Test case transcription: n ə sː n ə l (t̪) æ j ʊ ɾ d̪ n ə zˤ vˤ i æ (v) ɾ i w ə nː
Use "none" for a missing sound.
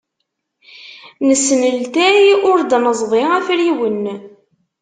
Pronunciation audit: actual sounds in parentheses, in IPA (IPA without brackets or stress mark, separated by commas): t̪, f